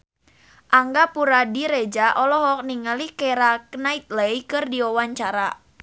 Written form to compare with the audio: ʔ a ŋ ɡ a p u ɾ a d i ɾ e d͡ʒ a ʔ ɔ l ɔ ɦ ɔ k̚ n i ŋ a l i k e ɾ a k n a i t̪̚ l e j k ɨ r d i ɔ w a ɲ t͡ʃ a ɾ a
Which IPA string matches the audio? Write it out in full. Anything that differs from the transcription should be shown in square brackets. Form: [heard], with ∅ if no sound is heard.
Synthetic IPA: ʔ a ŋ ɡ a p u ɾ a d i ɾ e d͡ʒ a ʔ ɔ l ɔ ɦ ɔ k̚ n i ŋ a l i k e ɾ a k n a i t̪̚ l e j k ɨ r d i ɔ w a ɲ t͡ʃ a ɾ a